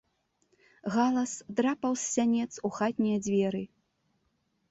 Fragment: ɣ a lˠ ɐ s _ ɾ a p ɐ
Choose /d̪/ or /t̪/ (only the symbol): d̪